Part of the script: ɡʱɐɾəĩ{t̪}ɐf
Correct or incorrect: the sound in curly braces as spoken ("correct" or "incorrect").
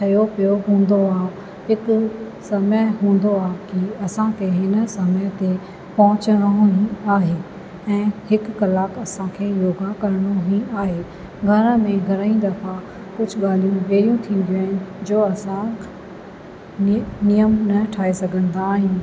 incorrect